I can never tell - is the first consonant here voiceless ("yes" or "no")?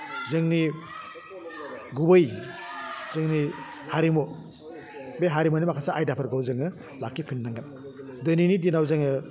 no